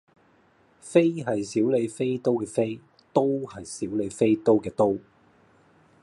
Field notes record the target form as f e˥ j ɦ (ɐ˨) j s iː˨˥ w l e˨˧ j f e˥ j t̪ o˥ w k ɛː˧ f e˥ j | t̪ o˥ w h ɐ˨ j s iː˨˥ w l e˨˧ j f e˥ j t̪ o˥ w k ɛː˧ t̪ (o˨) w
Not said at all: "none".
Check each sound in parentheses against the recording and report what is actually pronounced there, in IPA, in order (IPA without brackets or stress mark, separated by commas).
ɐ˨, o˥